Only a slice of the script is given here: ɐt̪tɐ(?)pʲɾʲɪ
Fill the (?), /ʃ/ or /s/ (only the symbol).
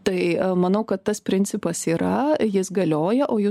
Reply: s